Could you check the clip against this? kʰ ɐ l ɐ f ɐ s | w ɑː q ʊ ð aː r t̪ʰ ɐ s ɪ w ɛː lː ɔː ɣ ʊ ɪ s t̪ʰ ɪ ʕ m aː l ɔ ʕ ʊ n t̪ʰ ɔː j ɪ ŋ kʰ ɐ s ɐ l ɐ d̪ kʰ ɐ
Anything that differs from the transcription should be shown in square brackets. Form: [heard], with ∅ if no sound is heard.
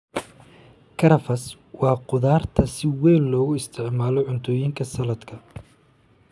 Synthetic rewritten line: kʰ ɐ [ɾ] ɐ f ɐ s | w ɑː q ʊ ð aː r t̪ʰ ɐ s ɪ w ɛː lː ɔː ɣ ʊ ɪ s t̪ʰ ɪ ʕ m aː l ɔ ʕ ʊ n t̪ʰ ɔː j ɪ ŋ kʰ ɐ s ɐ l ɐ d̪ kʰ ɐ